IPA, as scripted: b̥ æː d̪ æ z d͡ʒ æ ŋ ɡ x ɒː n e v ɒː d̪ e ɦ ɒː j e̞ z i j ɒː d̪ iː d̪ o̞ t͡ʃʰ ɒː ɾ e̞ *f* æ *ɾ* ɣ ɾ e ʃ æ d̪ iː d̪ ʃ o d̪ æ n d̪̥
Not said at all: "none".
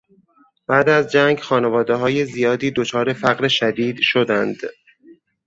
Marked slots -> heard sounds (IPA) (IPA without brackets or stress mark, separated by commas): f, none